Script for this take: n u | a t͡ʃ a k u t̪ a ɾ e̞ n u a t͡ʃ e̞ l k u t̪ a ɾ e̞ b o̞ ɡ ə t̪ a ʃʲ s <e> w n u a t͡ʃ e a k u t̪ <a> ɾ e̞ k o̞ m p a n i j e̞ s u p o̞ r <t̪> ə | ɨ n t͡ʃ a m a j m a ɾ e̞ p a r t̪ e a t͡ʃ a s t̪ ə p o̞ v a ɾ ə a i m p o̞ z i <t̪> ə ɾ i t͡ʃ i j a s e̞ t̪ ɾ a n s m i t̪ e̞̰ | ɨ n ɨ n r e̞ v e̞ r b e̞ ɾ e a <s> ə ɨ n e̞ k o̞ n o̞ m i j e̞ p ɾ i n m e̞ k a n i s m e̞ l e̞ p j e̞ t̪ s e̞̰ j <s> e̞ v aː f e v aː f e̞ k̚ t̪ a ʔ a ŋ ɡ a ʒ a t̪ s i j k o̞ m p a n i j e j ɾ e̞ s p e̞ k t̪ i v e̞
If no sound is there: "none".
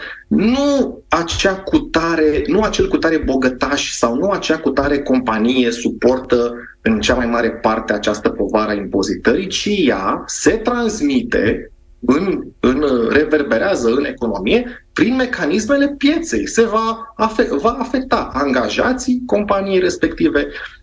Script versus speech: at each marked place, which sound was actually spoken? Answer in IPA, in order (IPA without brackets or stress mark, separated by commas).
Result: a, a, t̪, t̪, z, s